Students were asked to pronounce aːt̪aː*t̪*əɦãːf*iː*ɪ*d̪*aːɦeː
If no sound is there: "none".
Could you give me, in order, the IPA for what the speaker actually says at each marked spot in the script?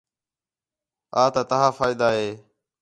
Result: t̪, aː, d̪

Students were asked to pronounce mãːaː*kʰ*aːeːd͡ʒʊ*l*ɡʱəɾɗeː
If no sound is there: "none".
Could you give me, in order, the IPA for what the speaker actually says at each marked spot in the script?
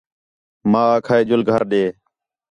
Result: kʰ, l

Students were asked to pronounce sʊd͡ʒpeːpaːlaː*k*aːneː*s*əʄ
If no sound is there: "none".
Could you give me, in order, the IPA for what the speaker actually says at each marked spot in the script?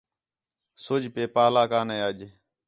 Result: k, none

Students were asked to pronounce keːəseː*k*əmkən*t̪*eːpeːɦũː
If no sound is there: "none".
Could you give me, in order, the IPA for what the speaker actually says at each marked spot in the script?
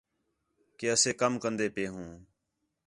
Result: k, d̪

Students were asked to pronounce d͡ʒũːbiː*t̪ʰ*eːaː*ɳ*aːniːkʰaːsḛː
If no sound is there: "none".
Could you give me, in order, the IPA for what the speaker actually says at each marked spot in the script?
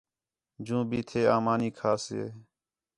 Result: t̪ʰ, m

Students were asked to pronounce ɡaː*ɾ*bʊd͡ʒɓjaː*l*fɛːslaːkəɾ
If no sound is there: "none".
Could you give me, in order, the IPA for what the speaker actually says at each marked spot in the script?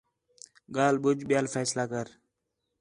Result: l, l

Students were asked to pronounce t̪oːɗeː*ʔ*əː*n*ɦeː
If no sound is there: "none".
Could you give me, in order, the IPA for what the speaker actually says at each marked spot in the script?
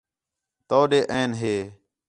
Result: ʔ, n

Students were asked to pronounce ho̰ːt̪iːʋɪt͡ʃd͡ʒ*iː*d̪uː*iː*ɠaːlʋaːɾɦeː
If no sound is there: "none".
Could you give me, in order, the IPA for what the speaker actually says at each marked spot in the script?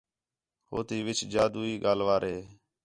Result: aː, iː

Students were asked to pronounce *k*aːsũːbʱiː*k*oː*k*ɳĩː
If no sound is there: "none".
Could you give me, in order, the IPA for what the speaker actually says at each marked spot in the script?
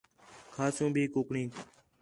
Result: kʰ, k, k

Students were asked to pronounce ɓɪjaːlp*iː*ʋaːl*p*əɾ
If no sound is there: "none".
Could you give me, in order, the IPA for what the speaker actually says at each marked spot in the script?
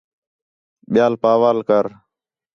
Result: aː, k

